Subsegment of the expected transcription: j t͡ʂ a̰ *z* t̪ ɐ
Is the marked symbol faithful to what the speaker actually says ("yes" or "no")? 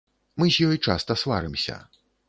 no